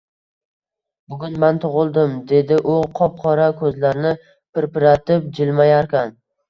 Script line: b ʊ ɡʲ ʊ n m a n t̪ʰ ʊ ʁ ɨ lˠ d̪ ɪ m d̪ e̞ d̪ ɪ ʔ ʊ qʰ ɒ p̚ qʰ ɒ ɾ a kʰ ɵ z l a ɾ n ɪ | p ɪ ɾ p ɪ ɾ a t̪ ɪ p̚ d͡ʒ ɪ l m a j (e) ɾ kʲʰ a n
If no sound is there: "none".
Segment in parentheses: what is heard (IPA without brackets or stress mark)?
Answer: a